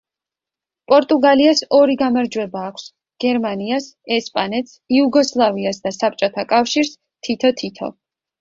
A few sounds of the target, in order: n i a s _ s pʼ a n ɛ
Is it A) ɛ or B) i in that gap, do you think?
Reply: A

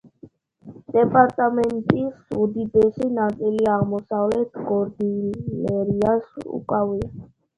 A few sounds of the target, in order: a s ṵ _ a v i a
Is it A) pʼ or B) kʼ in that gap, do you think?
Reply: B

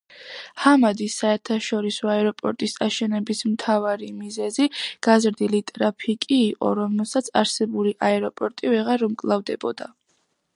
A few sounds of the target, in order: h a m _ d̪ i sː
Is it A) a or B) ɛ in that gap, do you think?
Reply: A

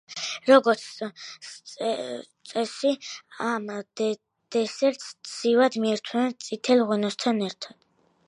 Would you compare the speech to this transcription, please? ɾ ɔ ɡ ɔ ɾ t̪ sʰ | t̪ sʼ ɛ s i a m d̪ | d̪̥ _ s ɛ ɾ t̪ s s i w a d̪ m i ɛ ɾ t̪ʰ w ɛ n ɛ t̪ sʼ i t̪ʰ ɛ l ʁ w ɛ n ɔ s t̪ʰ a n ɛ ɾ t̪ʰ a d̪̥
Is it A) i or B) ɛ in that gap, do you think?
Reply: B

